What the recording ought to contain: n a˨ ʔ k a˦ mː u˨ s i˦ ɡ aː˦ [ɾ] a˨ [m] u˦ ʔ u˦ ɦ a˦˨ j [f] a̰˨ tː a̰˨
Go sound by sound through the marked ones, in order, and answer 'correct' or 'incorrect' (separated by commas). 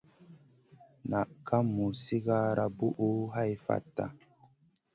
correct, incorrect, correct